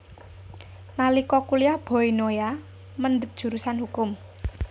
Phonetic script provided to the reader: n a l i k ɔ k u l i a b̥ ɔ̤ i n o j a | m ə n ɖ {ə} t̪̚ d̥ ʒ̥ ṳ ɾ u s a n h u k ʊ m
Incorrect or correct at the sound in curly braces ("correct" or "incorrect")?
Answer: correct